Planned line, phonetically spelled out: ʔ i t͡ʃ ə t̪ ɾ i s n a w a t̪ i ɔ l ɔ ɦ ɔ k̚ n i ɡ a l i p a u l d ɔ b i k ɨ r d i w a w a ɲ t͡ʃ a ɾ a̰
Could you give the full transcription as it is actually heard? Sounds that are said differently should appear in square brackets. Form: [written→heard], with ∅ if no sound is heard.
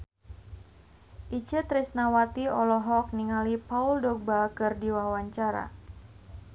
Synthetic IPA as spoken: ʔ i t͡ʃ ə t̪ ɾ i s n a w a t̪ i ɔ l ɔ ɦ ɔ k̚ n i [ɡ→ŋ] a l i p a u l d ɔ b [i→a] k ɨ r d i w a w a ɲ t͡ʃ a ɾ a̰